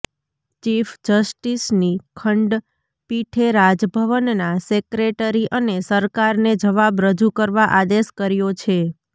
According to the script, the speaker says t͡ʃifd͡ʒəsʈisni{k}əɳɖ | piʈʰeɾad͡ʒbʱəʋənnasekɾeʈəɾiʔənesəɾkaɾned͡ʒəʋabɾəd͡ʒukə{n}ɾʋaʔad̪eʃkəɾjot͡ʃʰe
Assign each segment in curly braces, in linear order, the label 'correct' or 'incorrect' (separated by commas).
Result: incorrect, incorrect